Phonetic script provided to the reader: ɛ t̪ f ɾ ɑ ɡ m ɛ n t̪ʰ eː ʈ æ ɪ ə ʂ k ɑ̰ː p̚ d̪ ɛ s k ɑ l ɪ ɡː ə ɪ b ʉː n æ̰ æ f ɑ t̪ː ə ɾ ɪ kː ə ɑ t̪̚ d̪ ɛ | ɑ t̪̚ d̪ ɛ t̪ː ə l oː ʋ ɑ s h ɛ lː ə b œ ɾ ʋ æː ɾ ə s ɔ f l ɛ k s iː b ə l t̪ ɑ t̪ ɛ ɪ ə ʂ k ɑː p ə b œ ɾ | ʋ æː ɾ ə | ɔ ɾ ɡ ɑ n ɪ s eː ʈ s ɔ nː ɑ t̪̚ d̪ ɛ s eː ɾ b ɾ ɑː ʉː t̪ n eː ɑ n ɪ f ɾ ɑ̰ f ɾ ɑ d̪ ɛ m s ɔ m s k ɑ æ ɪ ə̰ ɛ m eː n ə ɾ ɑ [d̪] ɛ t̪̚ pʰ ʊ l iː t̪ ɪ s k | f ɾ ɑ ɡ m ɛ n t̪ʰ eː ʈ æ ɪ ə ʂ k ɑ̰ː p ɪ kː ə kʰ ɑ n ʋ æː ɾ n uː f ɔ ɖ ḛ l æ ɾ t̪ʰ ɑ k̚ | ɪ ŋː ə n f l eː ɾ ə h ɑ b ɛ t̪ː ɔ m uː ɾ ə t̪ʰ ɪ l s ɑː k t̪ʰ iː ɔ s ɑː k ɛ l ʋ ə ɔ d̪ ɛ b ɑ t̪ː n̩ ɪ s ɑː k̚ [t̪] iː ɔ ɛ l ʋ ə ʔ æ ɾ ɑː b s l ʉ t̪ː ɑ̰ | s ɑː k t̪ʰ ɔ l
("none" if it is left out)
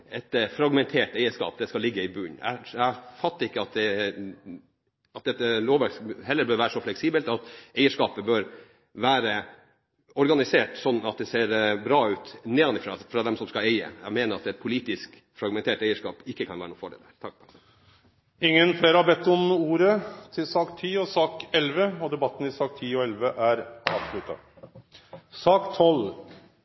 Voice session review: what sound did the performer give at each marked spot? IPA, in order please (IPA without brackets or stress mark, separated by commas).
t̪, t̪ʰ